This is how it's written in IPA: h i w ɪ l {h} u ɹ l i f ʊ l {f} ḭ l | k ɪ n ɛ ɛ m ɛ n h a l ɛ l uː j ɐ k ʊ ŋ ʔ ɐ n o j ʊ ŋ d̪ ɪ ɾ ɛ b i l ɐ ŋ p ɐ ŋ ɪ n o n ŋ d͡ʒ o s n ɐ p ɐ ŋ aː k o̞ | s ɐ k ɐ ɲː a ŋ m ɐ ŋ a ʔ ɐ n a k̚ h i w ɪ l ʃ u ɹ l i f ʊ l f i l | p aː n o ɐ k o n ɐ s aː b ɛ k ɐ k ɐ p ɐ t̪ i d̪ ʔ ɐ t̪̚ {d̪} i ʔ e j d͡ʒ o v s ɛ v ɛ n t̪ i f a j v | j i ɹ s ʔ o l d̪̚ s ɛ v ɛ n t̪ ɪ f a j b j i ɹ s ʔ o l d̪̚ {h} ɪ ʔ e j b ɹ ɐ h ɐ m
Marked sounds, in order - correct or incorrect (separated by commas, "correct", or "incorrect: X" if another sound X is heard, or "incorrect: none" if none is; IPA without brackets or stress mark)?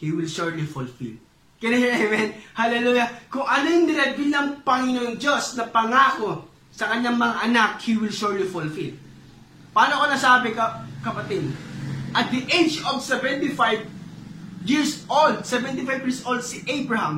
incorrect: ʃ, correct, correct, incorrect: s